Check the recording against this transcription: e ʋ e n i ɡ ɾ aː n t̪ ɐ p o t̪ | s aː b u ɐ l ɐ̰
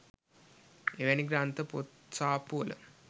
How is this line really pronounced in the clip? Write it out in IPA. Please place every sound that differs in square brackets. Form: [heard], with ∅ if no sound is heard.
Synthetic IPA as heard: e ʋ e n i ɡ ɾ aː n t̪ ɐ p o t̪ | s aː [p] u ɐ l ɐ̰